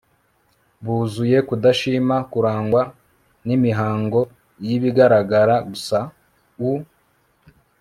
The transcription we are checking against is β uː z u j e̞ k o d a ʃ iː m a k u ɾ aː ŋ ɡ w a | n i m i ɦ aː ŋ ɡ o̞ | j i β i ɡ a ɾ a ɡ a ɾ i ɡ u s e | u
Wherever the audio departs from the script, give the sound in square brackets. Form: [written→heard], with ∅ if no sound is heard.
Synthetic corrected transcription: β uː z u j e̞ k [o→u] d a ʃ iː m a k u ɾ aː ŋ ɡ w a | n i m i ɦ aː ŋ ɡ o̞ | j i β i ɡ a ɾ a ɡ a ɾ [i→a] ɡ u s [e→a] | u